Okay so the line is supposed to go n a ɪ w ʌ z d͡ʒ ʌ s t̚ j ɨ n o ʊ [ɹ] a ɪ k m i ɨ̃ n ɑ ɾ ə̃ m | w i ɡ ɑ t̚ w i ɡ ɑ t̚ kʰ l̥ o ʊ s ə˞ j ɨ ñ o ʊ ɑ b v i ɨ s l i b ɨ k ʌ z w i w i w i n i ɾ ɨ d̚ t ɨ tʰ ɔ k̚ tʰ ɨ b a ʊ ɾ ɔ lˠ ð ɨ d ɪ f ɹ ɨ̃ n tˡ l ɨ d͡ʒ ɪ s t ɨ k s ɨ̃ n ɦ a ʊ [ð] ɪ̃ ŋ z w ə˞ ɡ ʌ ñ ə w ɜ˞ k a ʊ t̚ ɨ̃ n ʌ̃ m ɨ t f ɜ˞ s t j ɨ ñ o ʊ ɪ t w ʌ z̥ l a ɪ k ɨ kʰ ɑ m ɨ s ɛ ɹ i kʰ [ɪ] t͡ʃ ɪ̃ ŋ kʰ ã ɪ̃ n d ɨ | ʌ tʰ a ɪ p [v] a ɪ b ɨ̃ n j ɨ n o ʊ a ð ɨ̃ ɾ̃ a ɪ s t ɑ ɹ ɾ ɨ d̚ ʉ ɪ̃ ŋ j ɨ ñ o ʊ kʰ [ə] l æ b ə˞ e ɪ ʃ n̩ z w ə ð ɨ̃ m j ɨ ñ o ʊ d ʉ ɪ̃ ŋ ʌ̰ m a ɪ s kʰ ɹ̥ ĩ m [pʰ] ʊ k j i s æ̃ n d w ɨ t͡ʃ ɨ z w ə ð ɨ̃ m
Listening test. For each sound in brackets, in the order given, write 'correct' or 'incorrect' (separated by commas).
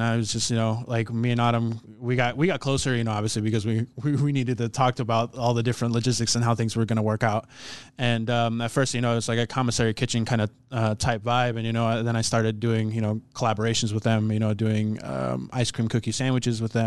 incorrect, incorrect, correct, correct, correct, incorrect